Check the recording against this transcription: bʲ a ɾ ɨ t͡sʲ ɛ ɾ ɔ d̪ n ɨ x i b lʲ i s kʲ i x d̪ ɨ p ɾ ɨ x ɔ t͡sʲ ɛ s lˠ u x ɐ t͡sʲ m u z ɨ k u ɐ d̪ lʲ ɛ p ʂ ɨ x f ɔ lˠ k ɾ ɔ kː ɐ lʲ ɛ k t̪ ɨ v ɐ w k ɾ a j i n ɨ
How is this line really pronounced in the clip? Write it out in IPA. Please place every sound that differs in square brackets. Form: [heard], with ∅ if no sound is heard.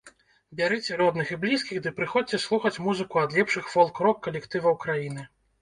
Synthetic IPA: bʲ a ɾ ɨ t͡sʲ ɛ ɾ ɔ d̪ n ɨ x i b lʲ i s kʲ i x d̪ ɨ p ɾ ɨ x ɔ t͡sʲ ɛ s lˠ u x ɐ t͡sʲ m u z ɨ k u ɐ d̪ lʲ ɛ p ʂ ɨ x f ɔ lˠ k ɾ ɔ kː ɐ lʲ ɛ k t̪ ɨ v ɐ w k ɾ a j i n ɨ